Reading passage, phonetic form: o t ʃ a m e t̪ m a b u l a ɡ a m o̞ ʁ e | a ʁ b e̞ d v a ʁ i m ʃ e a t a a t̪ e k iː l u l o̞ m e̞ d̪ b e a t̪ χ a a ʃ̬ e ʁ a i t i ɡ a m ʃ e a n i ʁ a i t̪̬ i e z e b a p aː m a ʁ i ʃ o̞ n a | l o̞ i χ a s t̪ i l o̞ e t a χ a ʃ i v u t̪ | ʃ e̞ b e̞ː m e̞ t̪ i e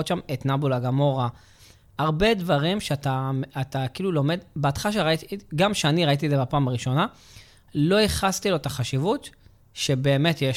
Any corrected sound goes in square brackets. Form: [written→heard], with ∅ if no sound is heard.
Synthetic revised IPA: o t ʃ a m e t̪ [m→n] a b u l a ɡ a m o̞ ʁ [e→a] | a ʁ b e̞ d v a ʁ i m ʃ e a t a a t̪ [e→a] k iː l u l o̞ m e̞ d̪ b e a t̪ χ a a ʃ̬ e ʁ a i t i ɡ a m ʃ e a n i ʁ a i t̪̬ i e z e b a p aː m a ʁ i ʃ o̞ n a | l o̞ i χ a s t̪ i l o̞ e t a χ a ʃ i v u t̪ | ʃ e̞ b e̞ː m e̞ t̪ [i→j] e